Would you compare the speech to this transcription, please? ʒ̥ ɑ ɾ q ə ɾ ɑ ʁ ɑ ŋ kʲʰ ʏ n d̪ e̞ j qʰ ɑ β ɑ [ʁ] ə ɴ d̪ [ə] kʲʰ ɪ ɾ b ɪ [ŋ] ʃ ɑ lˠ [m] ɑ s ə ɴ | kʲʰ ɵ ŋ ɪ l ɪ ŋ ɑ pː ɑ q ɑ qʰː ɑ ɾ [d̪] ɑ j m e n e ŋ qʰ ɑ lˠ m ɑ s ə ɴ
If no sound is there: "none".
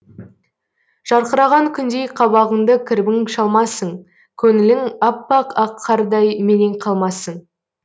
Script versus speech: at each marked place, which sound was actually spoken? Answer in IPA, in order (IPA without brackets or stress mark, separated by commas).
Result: ʁ, ə, ŋ, m, d̪